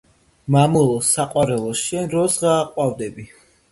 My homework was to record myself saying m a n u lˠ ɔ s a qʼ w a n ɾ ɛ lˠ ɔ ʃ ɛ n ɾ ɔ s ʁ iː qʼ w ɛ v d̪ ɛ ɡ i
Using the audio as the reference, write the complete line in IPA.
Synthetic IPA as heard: m a m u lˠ ɔ s a qʼ w a ɾ ɛ lˠ ɔ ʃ ɛ n ɾ ɔ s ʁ aː qʼ w a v d̪ ɛ b i